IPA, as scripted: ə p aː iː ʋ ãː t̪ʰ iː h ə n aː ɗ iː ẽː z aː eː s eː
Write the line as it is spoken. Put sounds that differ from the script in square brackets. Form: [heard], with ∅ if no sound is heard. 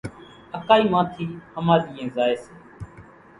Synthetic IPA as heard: ə [k] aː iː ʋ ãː t̪ʰ iː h ə [m] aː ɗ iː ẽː z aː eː s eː